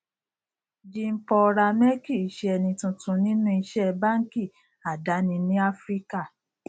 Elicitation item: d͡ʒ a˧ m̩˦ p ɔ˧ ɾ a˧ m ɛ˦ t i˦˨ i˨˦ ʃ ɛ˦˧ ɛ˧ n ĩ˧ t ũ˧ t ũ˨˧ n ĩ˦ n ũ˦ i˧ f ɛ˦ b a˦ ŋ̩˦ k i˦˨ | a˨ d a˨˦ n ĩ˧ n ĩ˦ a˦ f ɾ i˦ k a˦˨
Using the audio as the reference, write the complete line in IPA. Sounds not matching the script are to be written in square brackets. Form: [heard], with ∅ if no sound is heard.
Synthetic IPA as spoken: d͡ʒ [i˧] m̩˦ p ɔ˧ ɾ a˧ m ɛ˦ [k] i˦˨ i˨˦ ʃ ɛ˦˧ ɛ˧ n ĩ˧ t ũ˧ t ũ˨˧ n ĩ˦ n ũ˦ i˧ [ʃ] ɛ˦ b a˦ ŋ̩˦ k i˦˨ | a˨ d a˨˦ n ĩ˧ n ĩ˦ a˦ f ɾ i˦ k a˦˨